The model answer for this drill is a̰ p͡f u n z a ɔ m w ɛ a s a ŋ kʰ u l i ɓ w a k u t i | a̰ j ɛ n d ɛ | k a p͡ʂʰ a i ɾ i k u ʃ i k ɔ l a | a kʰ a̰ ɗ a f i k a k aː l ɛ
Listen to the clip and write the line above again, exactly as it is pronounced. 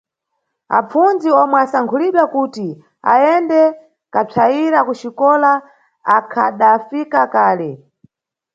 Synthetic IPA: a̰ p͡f u n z i ɔ m w ɛ a s a ŋ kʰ u l i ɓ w a k u t i | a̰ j ɛ n d ɛ | k a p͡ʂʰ a i ɾ a k u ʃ i k ɔ l a | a kʰ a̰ ɗ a f i k a k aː l ɛ